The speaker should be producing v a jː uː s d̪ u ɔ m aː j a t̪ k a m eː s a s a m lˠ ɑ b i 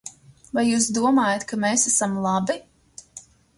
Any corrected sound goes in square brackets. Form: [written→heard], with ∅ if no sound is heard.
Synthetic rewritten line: v a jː uː s d̪ u ɔ m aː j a t̪ k a m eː s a s a m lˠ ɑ b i